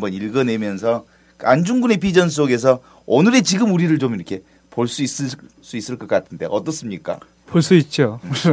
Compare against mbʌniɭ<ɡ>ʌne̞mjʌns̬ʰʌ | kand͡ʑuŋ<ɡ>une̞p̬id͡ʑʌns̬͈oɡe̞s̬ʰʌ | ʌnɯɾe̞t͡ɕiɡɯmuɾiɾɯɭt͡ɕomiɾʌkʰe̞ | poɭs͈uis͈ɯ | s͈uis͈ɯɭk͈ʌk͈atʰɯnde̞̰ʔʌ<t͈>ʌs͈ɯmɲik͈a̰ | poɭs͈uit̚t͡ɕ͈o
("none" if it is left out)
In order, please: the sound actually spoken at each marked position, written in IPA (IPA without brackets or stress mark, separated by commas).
ɡ, ɡ, t͈